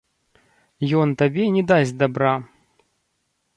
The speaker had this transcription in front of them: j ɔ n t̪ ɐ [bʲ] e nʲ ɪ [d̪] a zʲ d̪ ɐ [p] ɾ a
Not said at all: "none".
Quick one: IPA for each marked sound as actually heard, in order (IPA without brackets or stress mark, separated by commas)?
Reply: bʲ, d̪, b